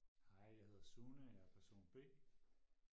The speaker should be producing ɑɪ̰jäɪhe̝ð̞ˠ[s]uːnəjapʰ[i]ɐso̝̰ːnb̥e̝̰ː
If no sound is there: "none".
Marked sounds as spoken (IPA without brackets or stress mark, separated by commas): s, æ